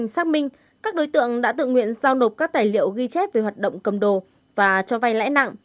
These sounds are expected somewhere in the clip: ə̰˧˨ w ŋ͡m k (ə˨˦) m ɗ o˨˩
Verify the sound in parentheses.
incorrect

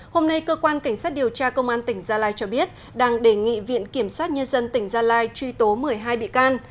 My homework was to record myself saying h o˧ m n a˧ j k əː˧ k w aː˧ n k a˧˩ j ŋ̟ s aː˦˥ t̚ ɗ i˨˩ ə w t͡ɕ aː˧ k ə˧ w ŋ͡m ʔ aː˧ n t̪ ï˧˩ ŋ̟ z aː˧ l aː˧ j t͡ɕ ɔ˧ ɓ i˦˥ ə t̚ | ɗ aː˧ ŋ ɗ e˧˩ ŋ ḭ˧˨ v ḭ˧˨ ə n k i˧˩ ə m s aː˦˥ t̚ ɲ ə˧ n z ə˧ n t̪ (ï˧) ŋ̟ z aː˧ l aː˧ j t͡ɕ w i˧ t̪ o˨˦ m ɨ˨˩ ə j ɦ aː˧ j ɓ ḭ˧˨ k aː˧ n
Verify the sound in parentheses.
incorrect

